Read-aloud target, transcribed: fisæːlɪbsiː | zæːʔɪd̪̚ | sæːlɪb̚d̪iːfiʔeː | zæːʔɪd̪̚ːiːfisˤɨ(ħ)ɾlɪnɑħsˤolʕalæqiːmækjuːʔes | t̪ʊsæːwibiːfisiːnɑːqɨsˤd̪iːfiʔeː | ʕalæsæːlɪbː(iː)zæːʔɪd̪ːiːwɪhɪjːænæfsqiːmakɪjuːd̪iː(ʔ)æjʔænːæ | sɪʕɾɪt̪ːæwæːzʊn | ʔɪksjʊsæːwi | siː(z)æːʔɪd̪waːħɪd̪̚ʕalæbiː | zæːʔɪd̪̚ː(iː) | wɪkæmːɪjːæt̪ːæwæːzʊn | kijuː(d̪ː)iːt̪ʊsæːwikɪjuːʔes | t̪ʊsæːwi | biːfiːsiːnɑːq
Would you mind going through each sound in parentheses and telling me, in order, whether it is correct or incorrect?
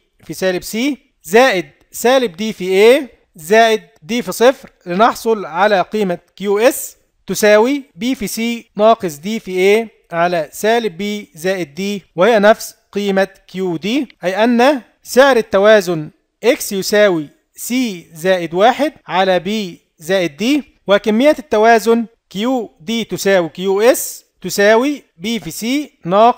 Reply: incorrect: f, correct, correct, correct, correct, incorrect: d̪

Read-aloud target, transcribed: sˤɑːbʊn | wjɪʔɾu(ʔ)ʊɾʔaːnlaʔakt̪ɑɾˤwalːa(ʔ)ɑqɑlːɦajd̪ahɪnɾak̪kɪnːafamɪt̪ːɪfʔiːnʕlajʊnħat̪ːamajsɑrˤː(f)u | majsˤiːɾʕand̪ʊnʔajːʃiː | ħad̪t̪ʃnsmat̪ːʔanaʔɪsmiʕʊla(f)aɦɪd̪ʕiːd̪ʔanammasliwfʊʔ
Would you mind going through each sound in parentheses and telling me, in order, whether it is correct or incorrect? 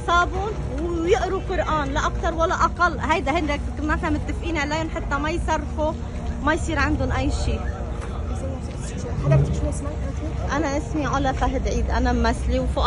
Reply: incorrect: q, correct, correct, correct

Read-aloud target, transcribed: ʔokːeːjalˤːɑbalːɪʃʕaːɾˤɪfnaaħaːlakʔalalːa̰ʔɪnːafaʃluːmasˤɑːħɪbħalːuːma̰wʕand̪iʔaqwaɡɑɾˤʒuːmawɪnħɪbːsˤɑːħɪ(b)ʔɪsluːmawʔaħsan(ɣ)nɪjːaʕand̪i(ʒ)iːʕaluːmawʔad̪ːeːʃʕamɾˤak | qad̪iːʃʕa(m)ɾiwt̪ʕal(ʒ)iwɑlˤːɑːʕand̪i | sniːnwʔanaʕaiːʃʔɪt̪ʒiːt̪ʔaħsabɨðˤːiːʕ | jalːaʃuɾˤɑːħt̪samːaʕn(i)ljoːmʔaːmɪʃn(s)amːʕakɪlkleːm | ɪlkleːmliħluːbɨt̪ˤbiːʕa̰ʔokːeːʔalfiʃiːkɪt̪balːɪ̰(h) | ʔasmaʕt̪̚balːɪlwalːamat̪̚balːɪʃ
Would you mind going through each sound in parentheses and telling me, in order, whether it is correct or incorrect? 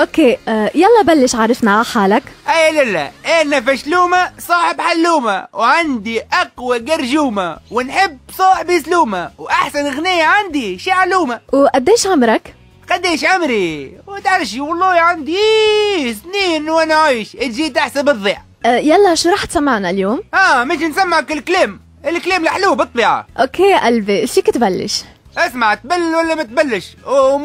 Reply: correct, correct, incorrect: ʃ, correct, incorrect: ʃ, incorrect: a, correct, incorrect: ʃ

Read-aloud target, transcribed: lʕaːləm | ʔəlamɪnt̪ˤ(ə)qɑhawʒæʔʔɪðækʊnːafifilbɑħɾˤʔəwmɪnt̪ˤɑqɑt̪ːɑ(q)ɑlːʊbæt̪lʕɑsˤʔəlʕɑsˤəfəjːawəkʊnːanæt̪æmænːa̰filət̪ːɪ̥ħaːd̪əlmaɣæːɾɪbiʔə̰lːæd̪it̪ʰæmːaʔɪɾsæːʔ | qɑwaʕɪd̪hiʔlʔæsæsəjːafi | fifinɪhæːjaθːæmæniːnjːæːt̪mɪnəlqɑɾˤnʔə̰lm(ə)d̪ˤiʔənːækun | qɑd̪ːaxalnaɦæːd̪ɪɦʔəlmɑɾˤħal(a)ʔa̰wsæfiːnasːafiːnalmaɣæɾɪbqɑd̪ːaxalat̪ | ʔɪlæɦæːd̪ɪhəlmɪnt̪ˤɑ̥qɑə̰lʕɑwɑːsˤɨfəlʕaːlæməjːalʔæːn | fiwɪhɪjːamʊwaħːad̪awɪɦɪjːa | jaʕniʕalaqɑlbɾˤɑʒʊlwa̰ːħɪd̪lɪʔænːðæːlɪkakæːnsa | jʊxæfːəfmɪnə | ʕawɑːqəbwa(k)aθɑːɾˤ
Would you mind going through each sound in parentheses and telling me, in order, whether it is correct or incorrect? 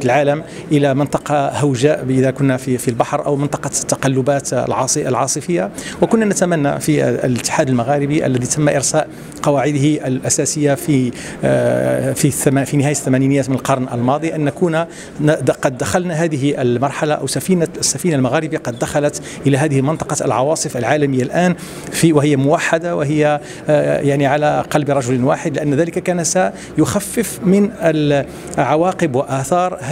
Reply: incorrect: ɑ, correct, incorrect: ɑ, correct, incorrect: ʔ

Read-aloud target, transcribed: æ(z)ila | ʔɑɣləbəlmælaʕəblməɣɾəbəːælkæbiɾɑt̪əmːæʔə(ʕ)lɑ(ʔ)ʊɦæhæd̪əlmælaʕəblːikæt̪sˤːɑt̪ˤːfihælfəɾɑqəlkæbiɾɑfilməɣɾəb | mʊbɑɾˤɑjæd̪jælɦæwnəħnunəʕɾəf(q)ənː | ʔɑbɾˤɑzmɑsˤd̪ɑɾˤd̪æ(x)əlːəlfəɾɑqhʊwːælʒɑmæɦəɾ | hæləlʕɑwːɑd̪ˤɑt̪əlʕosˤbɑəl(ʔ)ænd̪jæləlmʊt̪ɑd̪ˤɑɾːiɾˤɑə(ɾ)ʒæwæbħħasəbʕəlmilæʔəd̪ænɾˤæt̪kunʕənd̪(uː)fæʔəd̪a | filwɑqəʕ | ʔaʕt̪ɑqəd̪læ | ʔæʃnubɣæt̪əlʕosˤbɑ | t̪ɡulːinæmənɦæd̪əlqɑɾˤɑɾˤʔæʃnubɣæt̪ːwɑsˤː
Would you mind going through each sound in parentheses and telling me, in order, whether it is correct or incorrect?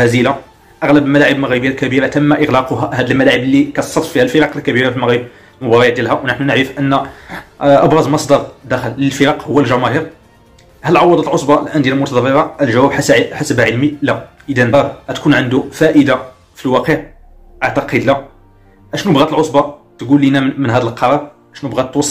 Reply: correct, incorrect: ɣ, incorrect: q, incorrect: ʔ, correct, correct, incorrect: l, incorrect: u

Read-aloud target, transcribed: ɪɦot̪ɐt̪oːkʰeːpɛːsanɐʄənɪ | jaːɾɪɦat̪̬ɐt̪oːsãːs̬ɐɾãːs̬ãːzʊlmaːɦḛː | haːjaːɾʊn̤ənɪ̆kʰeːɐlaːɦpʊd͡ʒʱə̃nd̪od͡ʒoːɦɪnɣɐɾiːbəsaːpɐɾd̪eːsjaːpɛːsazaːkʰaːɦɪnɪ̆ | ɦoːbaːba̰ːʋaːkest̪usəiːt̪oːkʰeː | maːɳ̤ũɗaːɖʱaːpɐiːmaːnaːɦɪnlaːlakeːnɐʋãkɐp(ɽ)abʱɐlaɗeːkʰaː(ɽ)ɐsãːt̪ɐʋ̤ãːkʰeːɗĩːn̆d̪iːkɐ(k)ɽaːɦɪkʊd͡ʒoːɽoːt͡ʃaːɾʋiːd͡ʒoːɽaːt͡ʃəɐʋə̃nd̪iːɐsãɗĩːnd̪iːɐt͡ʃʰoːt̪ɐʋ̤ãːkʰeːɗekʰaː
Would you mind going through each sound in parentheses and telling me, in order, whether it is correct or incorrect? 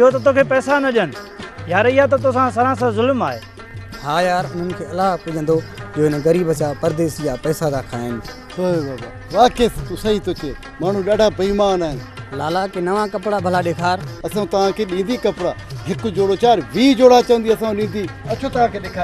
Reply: correct, incorrect: ɾ, incorrect: p

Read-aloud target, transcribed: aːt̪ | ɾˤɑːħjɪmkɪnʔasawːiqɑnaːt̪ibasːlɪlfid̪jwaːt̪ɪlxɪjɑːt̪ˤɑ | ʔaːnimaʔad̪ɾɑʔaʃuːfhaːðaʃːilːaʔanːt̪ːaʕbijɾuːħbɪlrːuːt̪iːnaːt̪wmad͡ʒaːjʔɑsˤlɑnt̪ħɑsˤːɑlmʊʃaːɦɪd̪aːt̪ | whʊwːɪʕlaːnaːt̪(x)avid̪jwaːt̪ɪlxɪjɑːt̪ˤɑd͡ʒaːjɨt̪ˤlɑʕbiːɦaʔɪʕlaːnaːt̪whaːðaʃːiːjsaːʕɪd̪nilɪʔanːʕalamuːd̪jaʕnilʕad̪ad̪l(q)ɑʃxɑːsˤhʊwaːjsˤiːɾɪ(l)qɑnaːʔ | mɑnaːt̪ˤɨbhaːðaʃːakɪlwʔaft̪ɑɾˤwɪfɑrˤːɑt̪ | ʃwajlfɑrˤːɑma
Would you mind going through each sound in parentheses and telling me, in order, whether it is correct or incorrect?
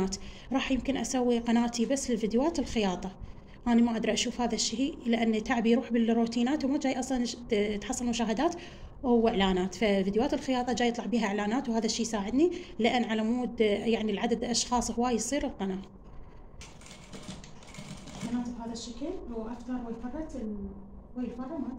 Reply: incorrect: f, incorrect: ʔ, correct

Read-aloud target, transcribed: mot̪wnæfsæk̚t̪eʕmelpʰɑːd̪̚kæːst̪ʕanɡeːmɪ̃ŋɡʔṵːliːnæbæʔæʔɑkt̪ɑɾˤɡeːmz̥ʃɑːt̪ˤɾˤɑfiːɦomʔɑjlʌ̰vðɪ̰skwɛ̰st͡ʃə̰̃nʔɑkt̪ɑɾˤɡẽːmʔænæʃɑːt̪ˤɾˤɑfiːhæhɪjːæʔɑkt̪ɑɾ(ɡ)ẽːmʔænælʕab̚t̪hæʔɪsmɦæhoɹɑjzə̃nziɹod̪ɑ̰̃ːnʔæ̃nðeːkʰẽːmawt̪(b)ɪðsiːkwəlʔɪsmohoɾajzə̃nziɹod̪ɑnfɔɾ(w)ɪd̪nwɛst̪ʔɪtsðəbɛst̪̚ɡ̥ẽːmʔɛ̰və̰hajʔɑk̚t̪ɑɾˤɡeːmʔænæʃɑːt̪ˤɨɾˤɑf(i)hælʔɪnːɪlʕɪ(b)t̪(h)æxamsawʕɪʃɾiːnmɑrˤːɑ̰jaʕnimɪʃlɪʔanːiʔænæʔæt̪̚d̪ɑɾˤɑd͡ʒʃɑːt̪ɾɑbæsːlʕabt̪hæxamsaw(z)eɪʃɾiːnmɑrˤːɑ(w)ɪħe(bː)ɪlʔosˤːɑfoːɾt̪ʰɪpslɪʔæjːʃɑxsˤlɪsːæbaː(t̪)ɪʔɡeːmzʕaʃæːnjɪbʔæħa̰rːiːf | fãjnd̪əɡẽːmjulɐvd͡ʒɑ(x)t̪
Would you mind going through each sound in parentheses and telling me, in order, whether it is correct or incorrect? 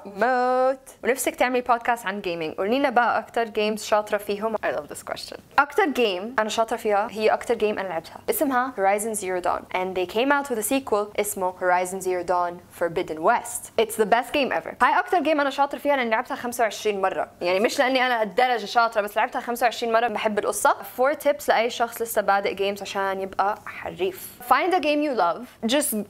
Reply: correct, incorrect: w, incorrect: b, incorrect: iː, correct, correct, incorrect: ʕ, incorrect: b, correct, incorrect: d̪, incorrect: s

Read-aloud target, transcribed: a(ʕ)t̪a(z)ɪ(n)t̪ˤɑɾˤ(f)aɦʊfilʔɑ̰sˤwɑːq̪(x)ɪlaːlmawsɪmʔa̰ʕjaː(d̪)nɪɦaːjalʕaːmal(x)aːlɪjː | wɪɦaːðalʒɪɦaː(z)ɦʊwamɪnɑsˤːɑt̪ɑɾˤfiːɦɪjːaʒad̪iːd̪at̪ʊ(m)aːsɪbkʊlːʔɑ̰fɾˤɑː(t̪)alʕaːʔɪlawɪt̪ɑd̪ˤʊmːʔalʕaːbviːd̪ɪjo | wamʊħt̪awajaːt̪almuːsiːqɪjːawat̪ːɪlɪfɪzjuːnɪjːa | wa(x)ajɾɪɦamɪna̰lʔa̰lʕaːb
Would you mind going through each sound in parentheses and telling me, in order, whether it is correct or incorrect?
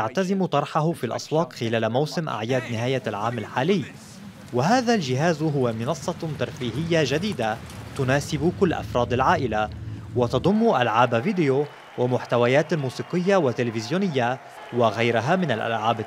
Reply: correct, correct, incorrect: m, incorrect: ħ, correct, correct, incorrect: ħ, correct, incorrect: n, incorrect: d̪, incorrect: ɣ

